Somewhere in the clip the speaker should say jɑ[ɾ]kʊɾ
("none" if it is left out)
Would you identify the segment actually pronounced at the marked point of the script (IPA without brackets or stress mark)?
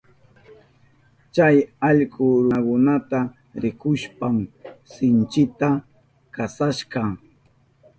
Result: ʎ